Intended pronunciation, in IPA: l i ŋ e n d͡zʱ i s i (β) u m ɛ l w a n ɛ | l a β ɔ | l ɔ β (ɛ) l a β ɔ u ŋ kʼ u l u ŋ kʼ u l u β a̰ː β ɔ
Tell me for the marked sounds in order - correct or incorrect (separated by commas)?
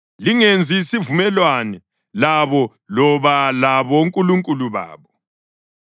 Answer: incorrect, incorrect